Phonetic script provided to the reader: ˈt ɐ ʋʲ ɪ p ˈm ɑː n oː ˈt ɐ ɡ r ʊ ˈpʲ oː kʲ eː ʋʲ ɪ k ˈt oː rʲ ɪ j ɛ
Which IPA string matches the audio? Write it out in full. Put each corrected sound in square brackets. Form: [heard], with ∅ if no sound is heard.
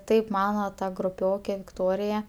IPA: ˈt ɐ [∅] ɪ p ˈm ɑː n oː ˈt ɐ ɡ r ʊ ˈpʲ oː kʲ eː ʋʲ ɪ k ˈt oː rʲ ɪ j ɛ